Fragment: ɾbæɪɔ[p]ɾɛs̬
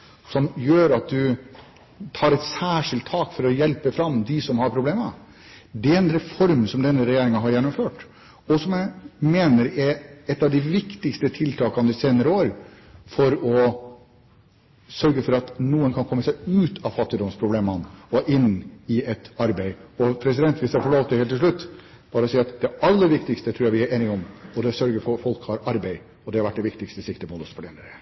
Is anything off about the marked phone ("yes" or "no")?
yes